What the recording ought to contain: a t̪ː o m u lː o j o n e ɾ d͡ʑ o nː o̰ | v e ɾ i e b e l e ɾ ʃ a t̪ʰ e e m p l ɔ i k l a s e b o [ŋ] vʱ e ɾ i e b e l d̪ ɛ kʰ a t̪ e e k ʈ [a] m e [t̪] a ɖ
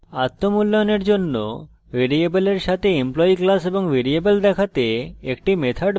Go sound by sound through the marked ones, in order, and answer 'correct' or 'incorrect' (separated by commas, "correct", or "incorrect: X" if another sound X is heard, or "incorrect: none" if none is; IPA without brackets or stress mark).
correct, incorrect: i, incorrect: t̪ʰ